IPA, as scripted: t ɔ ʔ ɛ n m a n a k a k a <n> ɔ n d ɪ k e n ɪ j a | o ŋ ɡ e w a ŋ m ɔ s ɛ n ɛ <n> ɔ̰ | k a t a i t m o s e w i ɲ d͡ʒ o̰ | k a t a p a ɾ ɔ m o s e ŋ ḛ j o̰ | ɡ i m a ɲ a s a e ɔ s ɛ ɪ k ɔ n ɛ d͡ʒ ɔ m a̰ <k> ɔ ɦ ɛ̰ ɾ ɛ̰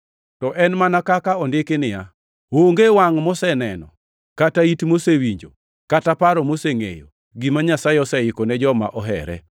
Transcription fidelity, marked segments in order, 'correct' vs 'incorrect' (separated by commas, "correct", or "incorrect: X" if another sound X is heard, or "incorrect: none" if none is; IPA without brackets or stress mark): incorrect: none, correct, incorrect: ʔ